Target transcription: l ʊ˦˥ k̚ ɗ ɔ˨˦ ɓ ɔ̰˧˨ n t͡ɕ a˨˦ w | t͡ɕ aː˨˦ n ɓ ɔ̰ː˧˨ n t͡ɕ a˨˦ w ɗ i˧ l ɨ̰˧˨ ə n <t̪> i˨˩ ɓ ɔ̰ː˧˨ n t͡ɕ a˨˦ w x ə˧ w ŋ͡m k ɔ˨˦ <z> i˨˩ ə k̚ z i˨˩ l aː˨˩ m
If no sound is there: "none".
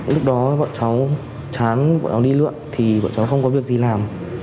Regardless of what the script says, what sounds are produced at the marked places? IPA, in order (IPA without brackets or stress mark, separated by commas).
t̪ʰ, v